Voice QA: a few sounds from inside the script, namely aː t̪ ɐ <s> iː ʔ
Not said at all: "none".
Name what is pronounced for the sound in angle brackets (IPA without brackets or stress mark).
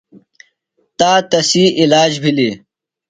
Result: s